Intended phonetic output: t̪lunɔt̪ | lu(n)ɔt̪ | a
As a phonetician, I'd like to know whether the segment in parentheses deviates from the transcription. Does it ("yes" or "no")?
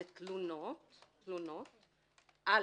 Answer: no